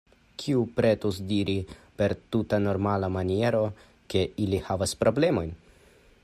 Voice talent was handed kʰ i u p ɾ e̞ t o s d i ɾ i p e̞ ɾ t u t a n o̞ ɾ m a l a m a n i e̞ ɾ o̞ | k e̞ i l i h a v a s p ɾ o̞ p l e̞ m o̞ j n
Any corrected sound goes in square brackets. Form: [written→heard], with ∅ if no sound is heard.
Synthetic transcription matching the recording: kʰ i u p ɾ e̞ t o s d i ɾ i p e̞ ɾ t u t a n o̞ ɾ m a l a m a n i e̞ ɾ o̞ | k e̞ i l i h a v a s p ɾ o̞ [p→b] l e̞ m o̞ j n